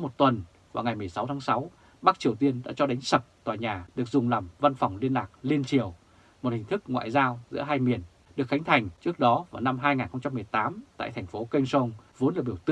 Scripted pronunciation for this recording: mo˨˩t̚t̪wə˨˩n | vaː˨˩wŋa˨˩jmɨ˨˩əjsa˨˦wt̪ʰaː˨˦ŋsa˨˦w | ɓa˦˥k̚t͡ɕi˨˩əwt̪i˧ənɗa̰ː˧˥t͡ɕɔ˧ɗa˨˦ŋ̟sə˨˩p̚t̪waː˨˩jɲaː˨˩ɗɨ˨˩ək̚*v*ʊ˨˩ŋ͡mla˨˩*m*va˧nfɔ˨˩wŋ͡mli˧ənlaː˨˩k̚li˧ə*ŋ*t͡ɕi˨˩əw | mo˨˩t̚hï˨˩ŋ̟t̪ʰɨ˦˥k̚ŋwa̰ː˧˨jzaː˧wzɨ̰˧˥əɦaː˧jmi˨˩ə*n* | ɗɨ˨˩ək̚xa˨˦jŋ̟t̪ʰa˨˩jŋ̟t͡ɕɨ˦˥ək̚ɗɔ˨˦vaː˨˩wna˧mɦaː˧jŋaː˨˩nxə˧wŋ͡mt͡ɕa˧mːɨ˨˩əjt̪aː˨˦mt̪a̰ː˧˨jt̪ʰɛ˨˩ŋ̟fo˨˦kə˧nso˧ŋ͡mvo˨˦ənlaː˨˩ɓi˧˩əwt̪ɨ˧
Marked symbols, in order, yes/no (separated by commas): no, yes, no, yes